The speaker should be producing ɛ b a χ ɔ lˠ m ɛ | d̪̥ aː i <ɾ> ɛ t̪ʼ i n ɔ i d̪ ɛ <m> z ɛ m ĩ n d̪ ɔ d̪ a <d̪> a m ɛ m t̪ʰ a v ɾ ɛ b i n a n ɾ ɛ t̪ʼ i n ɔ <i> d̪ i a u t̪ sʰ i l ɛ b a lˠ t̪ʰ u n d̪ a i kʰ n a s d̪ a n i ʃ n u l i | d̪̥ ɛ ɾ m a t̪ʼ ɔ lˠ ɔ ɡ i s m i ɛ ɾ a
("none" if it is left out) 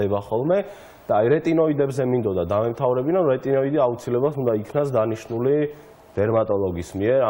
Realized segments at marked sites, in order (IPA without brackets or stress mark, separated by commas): ɾ, b, d̪, i